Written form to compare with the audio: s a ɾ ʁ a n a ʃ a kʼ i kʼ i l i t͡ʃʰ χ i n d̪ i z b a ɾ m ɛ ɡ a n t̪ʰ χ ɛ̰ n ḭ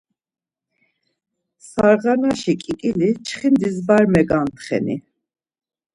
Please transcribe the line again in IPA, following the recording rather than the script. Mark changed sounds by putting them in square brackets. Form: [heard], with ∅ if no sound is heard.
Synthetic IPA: s a ɾ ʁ a n a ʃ [i] kʼ i kʼ i l i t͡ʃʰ χ i n d̪ i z b a ɾ m ɛ ɡ a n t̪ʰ χ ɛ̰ n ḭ